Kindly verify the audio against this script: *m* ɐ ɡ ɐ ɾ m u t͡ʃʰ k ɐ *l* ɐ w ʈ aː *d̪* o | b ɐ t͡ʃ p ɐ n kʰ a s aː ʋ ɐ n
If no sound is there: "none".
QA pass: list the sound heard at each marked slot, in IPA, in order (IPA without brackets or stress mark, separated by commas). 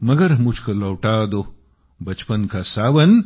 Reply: m, l, d̪